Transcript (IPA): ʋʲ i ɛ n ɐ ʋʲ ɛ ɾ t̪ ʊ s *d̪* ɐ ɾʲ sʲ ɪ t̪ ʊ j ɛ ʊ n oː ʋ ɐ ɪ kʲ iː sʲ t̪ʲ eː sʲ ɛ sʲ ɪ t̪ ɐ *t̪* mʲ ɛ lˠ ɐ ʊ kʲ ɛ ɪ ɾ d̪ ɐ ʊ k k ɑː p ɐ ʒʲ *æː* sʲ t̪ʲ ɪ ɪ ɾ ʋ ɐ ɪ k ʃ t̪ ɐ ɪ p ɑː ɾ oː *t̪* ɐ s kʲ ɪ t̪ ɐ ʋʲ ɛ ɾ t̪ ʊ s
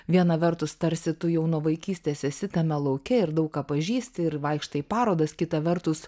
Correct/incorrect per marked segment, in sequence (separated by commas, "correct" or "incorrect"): incorrect, incorrect, incorrect, incorrect